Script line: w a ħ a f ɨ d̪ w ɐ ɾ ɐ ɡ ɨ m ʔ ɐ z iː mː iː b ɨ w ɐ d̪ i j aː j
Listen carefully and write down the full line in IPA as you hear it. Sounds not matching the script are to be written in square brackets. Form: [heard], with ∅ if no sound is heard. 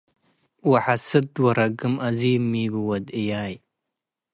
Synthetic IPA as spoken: w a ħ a [s] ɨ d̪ w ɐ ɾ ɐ ɡ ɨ m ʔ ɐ z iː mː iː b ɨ w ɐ d̪ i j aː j